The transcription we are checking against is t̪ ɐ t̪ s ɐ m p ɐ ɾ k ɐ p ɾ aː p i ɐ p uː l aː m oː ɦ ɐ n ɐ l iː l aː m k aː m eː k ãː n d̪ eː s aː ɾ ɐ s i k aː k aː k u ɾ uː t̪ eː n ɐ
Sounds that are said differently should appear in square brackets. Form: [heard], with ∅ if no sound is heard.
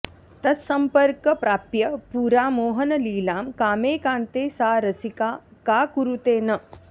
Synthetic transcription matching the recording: t̪ ɐ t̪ s ɐ m p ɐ ɾ k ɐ p ɾ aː p [j] ɐ p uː [ɾ] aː m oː ɦ ɐ n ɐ l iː l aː m k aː m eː k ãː n [t̪] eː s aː ɾ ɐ s i k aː k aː k u ɾ [u] t̪ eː n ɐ

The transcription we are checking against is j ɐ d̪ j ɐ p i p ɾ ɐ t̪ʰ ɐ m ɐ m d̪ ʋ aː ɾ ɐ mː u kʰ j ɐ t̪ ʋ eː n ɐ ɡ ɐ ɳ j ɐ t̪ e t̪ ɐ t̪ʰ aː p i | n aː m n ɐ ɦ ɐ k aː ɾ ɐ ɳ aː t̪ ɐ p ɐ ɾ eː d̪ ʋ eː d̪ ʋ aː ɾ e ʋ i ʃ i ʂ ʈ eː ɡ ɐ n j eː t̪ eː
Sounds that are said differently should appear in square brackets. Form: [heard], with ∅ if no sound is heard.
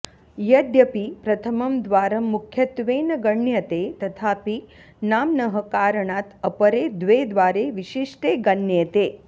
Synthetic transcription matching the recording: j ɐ d̪ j ɐ p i p ɾ ɐ t̪ʰ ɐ m ɐ m d̪ ʋ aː ɾ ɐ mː u kʰ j ɐ t̪ ʋ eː n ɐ ɡ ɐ ɳ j ɐ t̪ e t̪ ɐ t̪ʰ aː p i | n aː m n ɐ ɦ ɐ k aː ɾ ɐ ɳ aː t̪ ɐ p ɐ ɾ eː d̪ ʋ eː d̪ ʋ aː ɾ e ʋ i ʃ i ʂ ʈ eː ɡ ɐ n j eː t̪ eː

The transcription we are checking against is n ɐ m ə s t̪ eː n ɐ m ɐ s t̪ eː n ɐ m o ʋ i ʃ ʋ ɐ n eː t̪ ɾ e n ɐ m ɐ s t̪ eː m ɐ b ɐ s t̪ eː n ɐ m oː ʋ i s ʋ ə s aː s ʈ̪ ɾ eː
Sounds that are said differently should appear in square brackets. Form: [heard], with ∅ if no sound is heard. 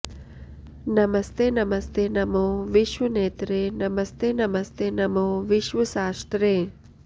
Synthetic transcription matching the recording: n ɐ m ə s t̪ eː n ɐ m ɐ s t̪ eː n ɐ m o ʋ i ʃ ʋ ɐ n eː t̪ ɾ e n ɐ m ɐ s t̪ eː [n] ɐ [m] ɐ s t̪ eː n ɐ m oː ʋ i [ʃ] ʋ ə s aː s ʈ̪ ɾ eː

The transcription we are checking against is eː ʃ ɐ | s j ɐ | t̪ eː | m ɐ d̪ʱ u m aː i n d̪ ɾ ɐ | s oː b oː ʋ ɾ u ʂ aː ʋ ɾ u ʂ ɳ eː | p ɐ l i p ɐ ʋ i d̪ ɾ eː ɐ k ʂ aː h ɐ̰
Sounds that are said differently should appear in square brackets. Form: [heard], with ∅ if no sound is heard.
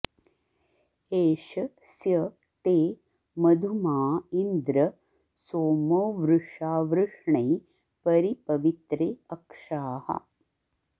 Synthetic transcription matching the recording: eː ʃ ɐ | s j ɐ | t̪ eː | m ɐ d̪ʱ u m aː i n d̪ ɾ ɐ | s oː [m] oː ʋ ɾ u ʂ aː ʋ ɾ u ʂ ɳ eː | p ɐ [ɾ] i p ɐ ʋ i [t̪] ɾ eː ɐ k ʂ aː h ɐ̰

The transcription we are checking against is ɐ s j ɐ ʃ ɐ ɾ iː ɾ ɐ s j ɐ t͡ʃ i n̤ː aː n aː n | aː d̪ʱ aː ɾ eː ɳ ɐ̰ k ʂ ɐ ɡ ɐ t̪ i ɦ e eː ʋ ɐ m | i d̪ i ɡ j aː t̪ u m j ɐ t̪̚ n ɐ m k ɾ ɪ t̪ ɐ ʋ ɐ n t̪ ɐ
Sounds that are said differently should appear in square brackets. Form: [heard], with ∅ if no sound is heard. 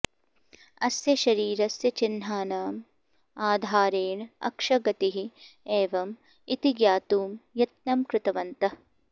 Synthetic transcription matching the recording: ɐ s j ɐ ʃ ɐ ɾ iː ɾ ɐ s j ɐ t͡ʃ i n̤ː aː n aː [m] | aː d̪ʱ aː ɾ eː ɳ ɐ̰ k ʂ ɐ ɡ ɐ t̪ i ɦ [i] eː ʋ ɐ m | i [t̪] i ɡ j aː t̪ [uː] m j ɐ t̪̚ n ɐ m k ɾ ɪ t̪ ɐ ʋ ɐ n t̪ ɐ

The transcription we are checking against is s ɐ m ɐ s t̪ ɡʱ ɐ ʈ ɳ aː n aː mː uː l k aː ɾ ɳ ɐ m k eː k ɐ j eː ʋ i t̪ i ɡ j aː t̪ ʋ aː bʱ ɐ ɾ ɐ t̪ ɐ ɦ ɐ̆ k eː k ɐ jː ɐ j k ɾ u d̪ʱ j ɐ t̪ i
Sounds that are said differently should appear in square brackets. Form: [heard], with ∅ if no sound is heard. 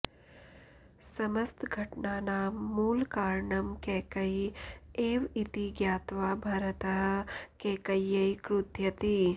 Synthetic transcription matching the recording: s ɐ m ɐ s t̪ ɡʱ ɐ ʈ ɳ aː n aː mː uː l k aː ɾ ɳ ɐ m k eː k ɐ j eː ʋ i t̪ i ɡ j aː t̪ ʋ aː bʱ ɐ ɾ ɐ t̪ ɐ ɦ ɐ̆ k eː k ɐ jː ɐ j k ɾ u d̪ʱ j ɐ t̪ i

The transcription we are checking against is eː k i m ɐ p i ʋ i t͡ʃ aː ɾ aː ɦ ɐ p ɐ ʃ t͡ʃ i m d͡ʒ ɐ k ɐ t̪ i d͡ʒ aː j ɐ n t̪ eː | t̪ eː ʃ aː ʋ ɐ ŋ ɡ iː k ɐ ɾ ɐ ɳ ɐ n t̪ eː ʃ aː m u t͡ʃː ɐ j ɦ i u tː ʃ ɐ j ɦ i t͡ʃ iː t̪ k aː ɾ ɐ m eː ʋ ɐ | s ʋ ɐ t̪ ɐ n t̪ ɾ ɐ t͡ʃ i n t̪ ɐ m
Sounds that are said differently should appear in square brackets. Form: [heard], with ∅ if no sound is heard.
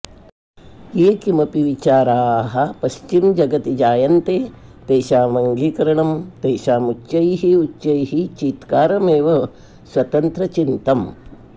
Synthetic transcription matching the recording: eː k i m ɐ p i ʋ i t͡ʃ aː ɾ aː ɦ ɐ p ɐ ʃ t͡ʃ i m d͡ʒ ɐ [ɡ] ɐ t̪ i d͡ʒ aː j ɐ n t̪ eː | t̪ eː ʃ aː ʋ ɐ ŋ ɡ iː k ɐ ɾ ɐ ɳ ɐ [m] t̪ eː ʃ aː m u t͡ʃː ɐ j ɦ i u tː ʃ ɐ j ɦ i t͡ʃ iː t̪ k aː ɾ ɐ m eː ʋ ɐ | s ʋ ɐ t̪ ɐ n t̪ ɾ ɐ t͡ʃ i n t̪ ɐ m

